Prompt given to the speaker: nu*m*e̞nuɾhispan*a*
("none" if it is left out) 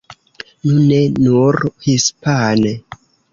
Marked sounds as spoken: n, e

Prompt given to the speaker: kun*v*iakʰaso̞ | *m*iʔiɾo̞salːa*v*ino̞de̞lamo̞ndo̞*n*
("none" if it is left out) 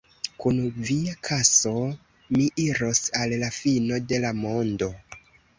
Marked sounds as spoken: v, m, f, none

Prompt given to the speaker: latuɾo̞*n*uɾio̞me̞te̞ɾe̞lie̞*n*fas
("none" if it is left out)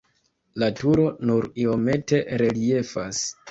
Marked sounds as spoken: n, none

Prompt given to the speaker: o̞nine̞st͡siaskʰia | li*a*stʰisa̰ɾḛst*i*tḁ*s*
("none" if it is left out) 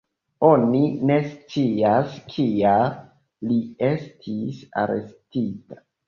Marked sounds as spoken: e, i, none

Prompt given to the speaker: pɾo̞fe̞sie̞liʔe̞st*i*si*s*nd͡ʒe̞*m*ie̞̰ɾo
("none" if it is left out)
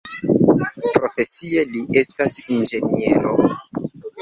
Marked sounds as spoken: a, none, n

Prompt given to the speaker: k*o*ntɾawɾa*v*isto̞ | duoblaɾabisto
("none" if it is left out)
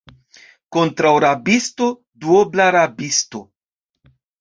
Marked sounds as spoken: o, b

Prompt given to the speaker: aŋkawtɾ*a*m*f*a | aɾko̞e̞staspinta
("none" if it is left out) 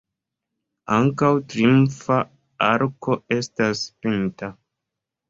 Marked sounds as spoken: i, f

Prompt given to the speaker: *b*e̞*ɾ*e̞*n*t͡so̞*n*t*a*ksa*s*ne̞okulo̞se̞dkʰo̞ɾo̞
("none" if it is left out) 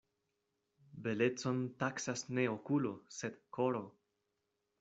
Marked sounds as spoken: b, l, none, n, a, s

